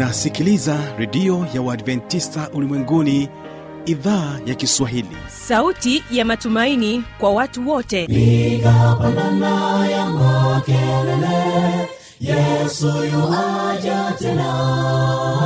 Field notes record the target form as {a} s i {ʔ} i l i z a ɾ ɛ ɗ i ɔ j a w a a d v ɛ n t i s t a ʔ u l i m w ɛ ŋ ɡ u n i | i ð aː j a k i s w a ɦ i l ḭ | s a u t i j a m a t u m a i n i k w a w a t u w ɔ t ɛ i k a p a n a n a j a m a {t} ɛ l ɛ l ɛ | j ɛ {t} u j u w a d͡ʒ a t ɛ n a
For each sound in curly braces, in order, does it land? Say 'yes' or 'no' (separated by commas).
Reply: yes, no, no, no